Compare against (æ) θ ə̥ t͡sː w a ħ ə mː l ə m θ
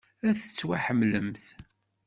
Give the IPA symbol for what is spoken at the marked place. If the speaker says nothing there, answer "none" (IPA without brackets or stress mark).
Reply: æ